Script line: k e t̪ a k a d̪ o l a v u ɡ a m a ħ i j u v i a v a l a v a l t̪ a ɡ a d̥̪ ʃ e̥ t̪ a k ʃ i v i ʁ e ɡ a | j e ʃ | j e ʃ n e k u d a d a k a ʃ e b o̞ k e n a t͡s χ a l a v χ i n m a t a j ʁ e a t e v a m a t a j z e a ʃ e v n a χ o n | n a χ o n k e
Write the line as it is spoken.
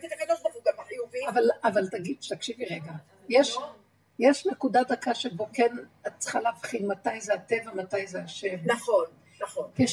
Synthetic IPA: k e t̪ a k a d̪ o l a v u ɡ a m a ħ i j u v i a v a l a v a l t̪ a ɡ i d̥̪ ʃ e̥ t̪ a k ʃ i v i ʁ e ɡ a | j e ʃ | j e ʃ n e k u d a d a k a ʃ e b o̞ k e n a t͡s χ a l a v χ i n m a t a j z e a t e v a m a t a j z e a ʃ e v n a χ o n | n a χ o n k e